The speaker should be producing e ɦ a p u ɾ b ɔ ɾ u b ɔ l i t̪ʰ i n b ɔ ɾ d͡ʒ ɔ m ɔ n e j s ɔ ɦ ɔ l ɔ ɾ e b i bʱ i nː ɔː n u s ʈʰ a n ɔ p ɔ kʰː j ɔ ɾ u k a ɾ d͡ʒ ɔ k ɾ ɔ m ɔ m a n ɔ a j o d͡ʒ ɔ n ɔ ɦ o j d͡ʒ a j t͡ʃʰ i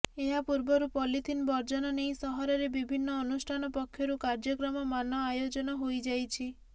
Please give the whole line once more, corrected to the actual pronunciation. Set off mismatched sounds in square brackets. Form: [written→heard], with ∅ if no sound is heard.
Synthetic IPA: e ɦ a p u ɾ b ɔ ɾ u [b→p] ɔ l i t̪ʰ i n b ɔ ɾ d͡ʒ ɔ [m→n] ɔ n e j s ɔ ɦ ɔ [l→ɾ] ɔ ɾ e b i bʱ i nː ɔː n u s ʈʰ a n ɔ p ɔ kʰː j ɔ ɾ u k a ɾ d͡ʒ ɔ k ɾ ɔ m ɔ m a n ɔ a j o d͡ʒ ɔ n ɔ ɦ o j d͡ʒ a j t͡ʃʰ i